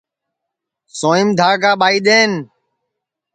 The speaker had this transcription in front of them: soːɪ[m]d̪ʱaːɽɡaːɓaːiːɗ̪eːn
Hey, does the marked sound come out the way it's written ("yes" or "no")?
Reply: yes